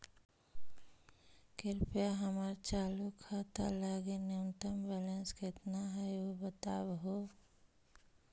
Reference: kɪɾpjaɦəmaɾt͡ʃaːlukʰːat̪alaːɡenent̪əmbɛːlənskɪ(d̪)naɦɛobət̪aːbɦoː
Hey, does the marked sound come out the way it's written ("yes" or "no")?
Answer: no